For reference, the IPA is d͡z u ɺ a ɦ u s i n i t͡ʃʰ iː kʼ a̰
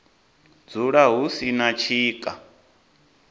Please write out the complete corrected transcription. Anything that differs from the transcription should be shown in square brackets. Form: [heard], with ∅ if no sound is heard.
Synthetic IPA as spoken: d͡z u ɺ a ɦ u s i n [a] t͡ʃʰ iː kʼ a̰